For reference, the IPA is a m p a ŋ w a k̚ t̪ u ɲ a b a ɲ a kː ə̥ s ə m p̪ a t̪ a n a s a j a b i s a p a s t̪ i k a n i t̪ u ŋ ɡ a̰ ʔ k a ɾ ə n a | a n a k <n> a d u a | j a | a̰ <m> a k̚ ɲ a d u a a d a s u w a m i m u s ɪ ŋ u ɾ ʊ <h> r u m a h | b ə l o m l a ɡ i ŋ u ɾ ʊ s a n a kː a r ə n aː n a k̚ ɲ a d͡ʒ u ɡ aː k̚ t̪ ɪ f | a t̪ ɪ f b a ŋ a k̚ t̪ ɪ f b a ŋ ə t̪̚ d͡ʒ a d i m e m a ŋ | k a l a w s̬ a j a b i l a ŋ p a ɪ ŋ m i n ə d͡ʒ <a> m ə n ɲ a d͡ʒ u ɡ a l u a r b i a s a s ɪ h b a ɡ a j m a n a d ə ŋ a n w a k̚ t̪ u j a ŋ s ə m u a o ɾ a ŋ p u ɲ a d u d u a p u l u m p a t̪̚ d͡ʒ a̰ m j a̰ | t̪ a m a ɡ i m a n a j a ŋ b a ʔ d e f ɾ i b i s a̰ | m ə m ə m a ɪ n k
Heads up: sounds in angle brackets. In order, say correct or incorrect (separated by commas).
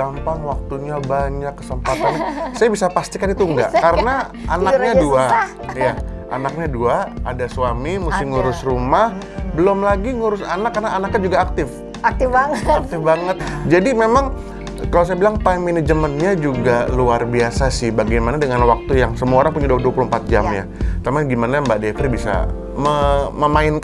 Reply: incorrect, incorrect, incorrect, incorrect